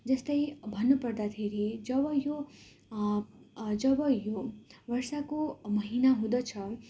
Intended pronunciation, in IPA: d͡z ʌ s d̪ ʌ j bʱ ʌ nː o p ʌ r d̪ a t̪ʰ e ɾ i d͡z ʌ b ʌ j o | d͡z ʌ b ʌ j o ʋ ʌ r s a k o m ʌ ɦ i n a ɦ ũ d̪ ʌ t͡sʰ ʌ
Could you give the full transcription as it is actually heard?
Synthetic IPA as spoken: d͡z ʌ s t̪ ʌ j bʱ ʌ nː u p ʌ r d̪ a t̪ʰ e ɾ i d͡z ʌ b ʌ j o | d͡z ʌ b ʌ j o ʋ ʌ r s a k o m ʌ ɦ i n a ɦ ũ d̪ ʌ t͡sʰ ʌ